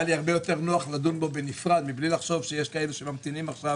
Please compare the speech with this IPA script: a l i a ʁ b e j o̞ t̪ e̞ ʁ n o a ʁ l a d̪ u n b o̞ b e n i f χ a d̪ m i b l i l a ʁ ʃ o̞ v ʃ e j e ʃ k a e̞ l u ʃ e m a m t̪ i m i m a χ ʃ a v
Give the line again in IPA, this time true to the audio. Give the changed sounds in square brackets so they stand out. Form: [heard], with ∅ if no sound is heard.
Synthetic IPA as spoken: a l i a ʁ b e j o̞ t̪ e̞ ʁ n o a [χ] l a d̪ u n b o̞ b e n i f [ʁ] a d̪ m i b l i l a [χ] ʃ o̞ v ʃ e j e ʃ k a e̞ l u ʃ e m a m t̪ i [n] i m a χ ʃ a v